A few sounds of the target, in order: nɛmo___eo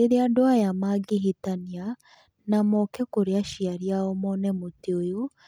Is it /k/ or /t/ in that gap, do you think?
t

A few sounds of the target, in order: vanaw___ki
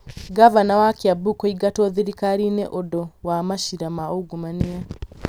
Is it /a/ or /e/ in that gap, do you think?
a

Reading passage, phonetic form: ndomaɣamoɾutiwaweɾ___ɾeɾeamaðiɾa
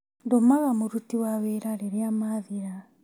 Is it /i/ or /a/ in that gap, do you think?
a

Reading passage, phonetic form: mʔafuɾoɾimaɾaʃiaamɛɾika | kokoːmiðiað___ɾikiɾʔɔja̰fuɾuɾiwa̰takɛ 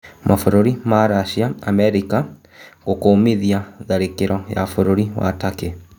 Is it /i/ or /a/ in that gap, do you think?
a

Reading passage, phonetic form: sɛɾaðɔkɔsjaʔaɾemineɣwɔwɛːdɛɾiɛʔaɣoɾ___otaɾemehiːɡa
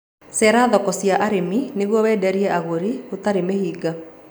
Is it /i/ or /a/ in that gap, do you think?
i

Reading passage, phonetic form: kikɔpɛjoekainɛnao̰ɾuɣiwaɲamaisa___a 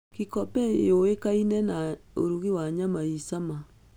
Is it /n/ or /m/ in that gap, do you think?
m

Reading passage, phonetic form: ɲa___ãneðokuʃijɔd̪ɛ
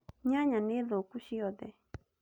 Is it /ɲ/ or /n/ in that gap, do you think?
ɲ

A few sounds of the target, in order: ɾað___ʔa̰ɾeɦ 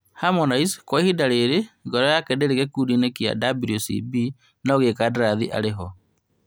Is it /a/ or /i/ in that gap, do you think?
i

